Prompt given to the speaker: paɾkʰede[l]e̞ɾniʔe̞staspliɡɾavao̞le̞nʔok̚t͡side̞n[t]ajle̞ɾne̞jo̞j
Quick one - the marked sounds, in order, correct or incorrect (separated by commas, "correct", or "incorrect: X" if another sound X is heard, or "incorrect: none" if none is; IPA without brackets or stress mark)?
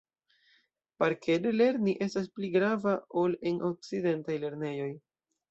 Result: correct, correct